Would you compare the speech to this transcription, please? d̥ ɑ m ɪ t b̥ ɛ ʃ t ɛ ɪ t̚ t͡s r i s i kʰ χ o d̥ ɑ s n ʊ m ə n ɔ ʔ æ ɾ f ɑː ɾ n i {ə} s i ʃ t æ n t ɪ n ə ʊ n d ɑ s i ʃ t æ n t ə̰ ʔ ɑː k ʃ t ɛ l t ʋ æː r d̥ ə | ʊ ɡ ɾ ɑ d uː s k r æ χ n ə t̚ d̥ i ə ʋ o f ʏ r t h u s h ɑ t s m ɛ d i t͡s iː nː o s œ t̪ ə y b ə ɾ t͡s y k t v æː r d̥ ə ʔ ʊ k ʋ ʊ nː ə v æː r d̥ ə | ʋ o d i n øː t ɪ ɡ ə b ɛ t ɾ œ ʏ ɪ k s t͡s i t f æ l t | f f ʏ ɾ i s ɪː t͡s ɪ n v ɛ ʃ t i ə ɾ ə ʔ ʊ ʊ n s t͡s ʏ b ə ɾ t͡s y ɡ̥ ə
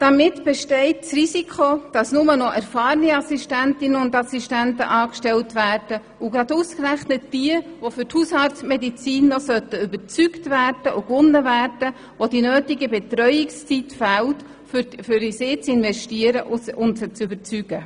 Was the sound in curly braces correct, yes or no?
no